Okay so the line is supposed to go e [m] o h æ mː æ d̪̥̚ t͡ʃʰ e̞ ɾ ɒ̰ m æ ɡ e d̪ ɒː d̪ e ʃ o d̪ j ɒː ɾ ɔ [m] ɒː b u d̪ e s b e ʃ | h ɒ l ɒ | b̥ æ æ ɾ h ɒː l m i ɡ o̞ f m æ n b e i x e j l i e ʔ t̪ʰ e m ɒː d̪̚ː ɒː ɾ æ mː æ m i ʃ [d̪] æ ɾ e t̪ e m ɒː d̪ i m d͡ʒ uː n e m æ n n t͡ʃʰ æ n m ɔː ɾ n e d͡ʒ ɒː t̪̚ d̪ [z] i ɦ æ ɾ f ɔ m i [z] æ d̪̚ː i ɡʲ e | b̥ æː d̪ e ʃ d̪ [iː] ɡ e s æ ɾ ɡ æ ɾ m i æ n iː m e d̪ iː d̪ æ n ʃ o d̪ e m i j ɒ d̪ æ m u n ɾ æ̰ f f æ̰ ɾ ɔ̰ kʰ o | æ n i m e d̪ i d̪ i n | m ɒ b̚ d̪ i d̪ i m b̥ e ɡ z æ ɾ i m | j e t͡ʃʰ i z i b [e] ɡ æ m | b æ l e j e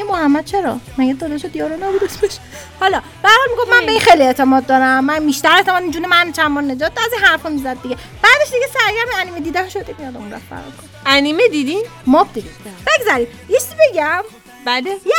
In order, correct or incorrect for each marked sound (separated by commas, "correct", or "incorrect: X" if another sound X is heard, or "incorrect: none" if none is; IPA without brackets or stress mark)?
correct, incorrect: n, incorrect: t̪, correct, correct, incorrect: i, correct